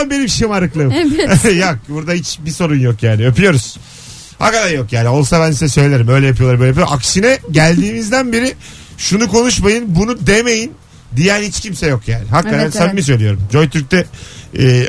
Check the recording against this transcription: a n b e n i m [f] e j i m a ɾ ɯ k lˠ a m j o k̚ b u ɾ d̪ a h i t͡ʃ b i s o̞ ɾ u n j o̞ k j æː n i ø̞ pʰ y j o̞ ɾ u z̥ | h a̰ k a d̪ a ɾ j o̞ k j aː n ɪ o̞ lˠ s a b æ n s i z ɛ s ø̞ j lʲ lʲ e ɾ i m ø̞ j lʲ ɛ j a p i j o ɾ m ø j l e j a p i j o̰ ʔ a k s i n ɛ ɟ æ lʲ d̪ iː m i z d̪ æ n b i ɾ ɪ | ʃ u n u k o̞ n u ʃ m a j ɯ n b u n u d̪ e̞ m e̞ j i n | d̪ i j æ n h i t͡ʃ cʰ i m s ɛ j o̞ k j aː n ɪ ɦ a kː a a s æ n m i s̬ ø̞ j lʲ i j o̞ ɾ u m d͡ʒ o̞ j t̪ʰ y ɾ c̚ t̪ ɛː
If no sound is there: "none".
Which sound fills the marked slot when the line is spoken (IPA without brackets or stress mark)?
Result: ʃ